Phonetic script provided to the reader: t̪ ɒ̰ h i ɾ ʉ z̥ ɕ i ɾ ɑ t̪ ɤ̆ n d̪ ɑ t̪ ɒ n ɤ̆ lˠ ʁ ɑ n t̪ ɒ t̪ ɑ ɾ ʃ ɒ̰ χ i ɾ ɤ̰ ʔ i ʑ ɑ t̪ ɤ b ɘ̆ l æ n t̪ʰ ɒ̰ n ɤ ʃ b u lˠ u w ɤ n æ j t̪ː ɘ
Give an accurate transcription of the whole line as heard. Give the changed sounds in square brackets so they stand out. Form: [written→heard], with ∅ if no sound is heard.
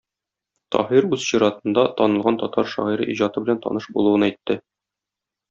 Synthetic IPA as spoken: t̪ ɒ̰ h i ɾ ʉ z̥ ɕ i ɾ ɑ t̪ ɤ̆ n d̪ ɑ t̪ ɒ n ɤ̆ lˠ ʁ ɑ n t̪ ɒ t̪ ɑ ɾ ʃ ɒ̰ [χ→ʁ] i ɾ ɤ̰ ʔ i ʑ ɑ t̪ ɤ b ɘ̆ l æ n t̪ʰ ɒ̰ n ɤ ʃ b u lˠ u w ɤ n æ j t̪ː ɘ